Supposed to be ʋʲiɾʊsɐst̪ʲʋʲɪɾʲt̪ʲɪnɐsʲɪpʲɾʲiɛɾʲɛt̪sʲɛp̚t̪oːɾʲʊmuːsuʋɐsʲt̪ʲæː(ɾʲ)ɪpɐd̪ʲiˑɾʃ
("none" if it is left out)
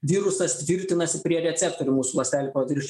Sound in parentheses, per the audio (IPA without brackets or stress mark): lʲ